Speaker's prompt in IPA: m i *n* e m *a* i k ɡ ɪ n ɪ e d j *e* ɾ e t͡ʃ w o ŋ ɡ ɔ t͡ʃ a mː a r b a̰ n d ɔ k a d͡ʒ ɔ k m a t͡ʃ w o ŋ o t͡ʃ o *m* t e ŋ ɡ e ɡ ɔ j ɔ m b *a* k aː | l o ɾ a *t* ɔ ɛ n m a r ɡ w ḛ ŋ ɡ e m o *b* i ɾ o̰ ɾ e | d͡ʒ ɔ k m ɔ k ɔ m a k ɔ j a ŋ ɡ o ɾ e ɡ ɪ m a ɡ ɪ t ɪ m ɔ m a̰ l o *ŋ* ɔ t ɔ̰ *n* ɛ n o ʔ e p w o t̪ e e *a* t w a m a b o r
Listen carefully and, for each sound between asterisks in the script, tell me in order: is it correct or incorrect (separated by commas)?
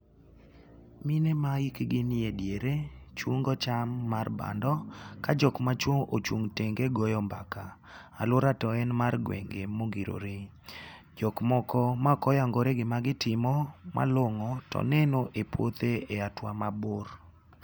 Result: correct, correct, correct, incorrect, correct, correct, incorrect, correct, correct, correct